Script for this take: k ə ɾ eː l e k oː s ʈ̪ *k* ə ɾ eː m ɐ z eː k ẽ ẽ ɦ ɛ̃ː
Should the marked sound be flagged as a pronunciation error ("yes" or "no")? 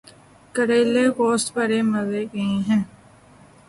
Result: yes